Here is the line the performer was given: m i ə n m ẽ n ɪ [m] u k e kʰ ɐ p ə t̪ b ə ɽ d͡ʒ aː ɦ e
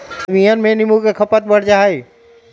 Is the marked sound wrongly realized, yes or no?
no